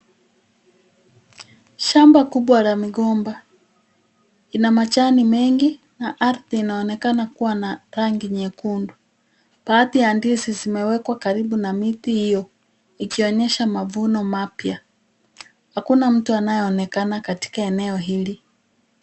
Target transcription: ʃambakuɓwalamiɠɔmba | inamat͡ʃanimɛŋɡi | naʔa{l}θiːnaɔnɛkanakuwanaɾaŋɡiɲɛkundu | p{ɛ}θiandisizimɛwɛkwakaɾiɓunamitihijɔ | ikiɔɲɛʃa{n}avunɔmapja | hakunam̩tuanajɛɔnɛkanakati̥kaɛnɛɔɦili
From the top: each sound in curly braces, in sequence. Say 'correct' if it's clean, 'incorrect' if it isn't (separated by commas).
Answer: incorrect, incorrect, incorrect